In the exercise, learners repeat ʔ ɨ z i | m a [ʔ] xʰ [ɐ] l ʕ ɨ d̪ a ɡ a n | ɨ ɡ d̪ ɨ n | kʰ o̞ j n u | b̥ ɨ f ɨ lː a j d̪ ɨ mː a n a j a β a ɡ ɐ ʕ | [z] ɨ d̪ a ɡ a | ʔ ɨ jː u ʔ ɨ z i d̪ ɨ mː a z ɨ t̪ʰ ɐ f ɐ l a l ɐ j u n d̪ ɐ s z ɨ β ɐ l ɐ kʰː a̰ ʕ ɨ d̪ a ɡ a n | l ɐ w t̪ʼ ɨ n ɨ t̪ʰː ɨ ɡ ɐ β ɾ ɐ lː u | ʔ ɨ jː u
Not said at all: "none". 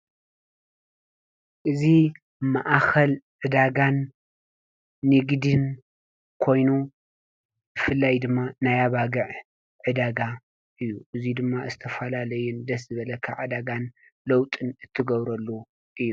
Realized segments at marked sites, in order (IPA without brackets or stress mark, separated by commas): ʔ, ɐ, ʕ